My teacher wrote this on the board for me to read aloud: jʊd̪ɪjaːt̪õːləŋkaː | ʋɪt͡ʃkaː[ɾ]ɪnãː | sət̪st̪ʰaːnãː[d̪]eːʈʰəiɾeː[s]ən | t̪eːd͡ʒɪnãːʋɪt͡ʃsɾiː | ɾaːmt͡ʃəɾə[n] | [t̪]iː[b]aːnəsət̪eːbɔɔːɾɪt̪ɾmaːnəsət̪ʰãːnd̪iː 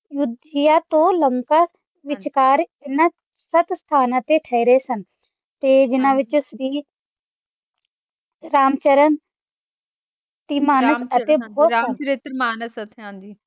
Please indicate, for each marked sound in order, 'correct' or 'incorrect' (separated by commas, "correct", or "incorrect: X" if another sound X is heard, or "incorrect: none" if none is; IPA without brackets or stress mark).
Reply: correct, incorrect: t̪, correct, correct, correct, incorrect: m